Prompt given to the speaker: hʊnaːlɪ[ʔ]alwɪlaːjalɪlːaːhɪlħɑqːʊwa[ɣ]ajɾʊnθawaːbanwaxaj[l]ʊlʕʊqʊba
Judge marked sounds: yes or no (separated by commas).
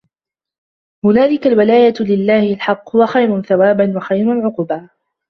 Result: no, no, no